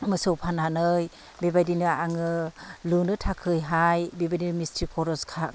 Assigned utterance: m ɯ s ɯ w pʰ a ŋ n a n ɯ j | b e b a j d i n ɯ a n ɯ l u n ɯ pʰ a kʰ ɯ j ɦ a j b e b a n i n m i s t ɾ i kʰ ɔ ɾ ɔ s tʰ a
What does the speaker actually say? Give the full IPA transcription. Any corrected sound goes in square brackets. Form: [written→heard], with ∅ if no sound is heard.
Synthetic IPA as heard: m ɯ s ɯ w pʰ a [ŋ→∅] n a n ɯ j | b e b a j d i n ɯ a [n→ŋ] ɯ l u n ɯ [pʰ→tʰ] a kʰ ɯ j ɦ a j b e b a [n→d] i n m i s t ɾ i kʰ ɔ ɾ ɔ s [tʰ→kʰ] a